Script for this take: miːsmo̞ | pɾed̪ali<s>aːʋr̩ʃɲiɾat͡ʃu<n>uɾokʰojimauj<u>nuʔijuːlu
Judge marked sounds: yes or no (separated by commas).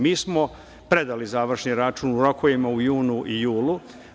no, yes, no